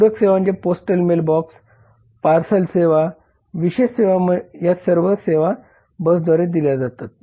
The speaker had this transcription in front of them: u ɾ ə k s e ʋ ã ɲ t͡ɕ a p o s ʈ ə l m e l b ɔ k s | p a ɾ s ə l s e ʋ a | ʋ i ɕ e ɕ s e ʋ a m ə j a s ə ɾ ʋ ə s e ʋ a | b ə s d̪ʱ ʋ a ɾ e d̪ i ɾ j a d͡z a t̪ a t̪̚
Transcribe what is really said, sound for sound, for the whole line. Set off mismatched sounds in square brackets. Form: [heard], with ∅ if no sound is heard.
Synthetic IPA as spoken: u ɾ ə k s e ʋ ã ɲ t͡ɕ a p o s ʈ ə l m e l b ɔ k s | p a ɾ s ə l s e ʋ a | ʋ i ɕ e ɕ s e ʋ a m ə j a s ə ɾ ʋ ə s e ʋ a | b ə s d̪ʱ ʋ a ɾ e d̪ i [l] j a d͡z a t̪ a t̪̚